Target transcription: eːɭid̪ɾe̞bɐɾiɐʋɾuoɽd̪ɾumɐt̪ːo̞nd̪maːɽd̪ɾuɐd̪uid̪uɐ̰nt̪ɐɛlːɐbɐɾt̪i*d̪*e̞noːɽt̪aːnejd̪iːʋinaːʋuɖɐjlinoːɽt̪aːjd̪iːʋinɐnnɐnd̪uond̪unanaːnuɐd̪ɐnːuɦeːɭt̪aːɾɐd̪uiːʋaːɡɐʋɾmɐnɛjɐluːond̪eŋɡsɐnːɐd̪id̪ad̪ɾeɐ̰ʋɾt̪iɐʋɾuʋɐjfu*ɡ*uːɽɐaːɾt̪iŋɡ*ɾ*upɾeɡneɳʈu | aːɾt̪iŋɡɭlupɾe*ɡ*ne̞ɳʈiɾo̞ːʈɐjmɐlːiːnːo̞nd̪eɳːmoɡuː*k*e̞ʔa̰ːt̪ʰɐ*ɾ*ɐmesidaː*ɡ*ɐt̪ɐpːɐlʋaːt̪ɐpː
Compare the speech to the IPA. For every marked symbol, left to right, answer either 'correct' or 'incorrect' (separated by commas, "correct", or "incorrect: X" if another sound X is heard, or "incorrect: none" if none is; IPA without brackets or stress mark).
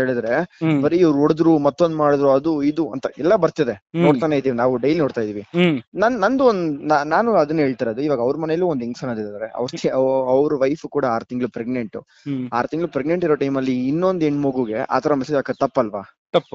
correct, incorrect: k, incorrect: ɭ, correct, incorrect: ɡ, correct, incorrect: k